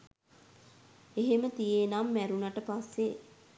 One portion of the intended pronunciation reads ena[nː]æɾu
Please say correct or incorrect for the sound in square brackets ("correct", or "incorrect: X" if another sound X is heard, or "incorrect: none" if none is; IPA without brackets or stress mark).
incorrect: mː